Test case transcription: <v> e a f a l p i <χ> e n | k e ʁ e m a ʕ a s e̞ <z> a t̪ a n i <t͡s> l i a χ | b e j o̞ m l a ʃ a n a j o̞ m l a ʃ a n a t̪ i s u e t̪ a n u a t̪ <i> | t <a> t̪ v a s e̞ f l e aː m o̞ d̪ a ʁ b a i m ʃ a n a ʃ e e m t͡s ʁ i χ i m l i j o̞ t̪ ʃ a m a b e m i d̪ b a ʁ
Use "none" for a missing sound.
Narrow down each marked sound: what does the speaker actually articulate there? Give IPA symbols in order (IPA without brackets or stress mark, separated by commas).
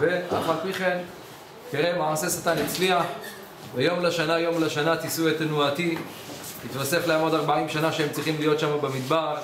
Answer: v, χ, s, t͡s, i, i